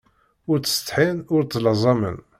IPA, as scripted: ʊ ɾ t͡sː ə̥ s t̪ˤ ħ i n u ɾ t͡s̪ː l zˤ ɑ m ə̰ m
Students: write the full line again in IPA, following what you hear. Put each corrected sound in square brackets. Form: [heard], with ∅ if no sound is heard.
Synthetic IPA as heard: ʊ ɾ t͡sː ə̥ s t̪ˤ ħ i n [ʊ] ɾ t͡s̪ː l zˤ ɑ m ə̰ [n]